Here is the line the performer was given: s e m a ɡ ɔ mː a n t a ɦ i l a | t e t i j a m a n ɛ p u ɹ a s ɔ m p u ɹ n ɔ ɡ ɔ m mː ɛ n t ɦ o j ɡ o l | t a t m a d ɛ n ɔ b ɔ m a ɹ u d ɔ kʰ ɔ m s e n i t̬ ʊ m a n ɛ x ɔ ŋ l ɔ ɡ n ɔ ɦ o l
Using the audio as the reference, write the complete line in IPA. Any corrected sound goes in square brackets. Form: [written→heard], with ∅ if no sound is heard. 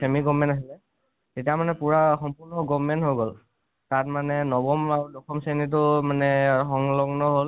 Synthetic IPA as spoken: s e m [a→i] ɡ ɔ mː [a→ɛ] n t a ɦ i l [a→ɛ] | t e t i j a m a n ɛ p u ɹ a [s→x] ɔ m p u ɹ n ɔ ɡ ɔ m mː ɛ n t ɦ o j ɡ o l | t a t m a [d→n] ɛ n ɔ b ɔ m a ɹ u d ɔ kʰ ɔ m s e n i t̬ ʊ m a n ɛ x ɔ ŋ l ɔ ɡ n ɔ ɦ o l